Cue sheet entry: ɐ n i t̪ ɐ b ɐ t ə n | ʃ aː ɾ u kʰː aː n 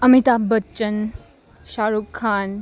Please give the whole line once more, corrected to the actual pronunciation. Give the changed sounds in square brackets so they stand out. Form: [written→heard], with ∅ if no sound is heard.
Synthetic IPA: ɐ [n→m] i t̪ [ɐ→a] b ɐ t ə n | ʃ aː ɾ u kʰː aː n